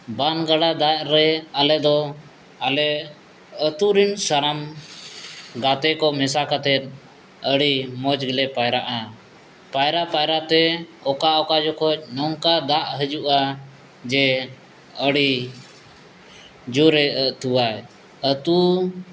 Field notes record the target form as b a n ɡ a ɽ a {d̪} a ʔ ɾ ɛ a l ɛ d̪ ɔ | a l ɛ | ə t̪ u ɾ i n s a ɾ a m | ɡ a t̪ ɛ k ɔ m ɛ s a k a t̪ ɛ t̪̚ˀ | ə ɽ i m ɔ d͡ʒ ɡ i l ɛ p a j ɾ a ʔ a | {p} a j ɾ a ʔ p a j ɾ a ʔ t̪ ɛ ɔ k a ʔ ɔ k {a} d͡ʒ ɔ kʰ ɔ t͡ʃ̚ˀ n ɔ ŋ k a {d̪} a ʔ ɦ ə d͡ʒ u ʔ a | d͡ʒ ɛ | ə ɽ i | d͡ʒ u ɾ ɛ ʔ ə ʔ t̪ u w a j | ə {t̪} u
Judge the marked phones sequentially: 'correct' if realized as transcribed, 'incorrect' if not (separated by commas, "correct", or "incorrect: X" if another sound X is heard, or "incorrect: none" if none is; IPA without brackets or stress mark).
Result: correct, correct, correct, correct, correct